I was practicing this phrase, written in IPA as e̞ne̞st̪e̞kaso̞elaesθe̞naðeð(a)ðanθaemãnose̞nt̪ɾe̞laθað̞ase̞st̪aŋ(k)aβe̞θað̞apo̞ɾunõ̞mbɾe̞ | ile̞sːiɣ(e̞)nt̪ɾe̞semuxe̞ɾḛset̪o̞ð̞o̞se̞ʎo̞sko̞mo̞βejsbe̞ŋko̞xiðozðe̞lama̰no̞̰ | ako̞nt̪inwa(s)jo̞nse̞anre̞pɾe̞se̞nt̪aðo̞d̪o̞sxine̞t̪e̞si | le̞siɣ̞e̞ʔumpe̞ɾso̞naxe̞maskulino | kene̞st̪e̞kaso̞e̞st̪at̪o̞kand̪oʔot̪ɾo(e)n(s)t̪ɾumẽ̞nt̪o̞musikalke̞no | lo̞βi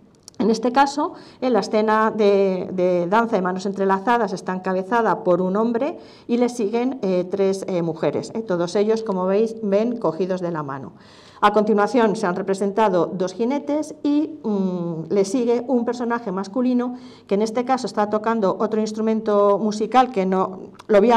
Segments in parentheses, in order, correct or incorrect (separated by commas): incorrect, correct, correct, incorrect, incorrect, correct